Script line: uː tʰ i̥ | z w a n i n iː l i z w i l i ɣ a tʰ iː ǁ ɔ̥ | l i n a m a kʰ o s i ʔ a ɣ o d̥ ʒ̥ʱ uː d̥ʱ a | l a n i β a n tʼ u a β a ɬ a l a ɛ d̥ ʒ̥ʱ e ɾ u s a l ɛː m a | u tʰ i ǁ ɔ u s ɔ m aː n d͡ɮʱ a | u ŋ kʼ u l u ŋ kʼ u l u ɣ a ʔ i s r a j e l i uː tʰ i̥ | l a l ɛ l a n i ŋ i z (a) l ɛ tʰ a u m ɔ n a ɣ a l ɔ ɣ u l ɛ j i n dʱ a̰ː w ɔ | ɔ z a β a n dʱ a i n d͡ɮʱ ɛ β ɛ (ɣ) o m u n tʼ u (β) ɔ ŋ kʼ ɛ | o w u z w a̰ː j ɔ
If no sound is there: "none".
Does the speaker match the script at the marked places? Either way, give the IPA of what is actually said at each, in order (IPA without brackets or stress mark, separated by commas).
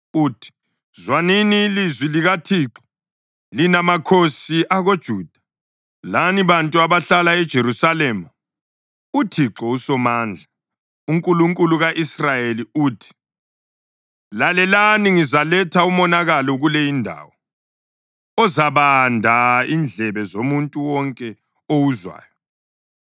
a, z, w